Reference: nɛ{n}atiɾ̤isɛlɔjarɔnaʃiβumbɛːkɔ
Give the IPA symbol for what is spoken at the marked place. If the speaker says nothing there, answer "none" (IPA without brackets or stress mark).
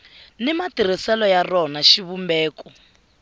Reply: m